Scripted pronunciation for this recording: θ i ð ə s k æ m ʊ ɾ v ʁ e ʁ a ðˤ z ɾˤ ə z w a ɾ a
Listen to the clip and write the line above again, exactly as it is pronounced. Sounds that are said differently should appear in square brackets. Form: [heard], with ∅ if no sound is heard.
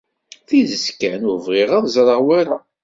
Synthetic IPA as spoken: θ i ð ə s k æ [n] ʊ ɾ v ʁ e ʁ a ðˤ z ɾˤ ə [ʁ] w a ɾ a